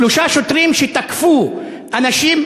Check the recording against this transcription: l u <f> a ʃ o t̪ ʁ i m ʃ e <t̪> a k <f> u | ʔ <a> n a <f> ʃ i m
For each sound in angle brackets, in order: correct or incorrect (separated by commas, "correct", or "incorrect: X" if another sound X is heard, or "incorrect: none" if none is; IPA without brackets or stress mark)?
incorrect: ʃ, correct, correct, correct, incorrect: none